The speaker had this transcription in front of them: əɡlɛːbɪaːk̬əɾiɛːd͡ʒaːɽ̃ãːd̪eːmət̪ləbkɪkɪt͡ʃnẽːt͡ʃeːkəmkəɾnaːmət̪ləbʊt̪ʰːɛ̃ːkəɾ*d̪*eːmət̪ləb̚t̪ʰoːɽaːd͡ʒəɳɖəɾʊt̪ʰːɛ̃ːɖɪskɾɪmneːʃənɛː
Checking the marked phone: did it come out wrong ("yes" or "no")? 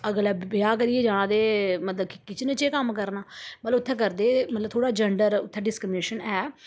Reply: no